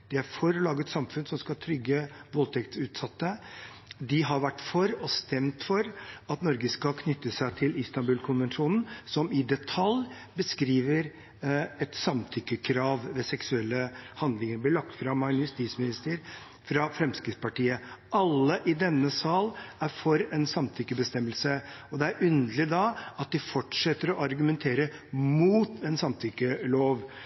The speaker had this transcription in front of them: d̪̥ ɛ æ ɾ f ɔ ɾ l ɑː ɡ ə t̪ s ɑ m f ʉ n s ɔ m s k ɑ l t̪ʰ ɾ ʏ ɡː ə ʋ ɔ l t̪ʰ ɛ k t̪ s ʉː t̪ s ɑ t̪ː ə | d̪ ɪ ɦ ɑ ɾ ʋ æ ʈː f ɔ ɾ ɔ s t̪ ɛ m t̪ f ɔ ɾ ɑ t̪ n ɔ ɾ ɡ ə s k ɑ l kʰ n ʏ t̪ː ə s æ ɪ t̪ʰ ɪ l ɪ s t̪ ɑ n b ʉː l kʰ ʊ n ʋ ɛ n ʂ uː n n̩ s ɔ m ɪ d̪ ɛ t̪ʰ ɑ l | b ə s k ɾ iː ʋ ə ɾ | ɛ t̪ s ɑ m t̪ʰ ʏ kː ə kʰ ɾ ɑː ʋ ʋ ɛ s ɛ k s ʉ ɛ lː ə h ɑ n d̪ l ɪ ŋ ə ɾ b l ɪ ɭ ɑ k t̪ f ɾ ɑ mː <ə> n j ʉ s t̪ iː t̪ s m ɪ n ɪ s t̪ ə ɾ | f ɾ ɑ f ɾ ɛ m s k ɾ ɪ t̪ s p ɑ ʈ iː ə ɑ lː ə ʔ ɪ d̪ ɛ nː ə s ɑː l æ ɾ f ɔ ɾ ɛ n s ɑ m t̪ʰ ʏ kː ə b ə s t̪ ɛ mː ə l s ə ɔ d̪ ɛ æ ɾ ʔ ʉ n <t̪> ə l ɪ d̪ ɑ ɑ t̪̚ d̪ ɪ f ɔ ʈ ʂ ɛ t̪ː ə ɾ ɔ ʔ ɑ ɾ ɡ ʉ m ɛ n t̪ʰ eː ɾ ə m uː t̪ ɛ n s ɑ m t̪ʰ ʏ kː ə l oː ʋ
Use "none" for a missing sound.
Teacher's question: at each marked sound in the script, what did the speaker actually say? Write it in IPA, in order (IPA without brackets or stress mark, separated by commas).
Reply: ɑ, d̪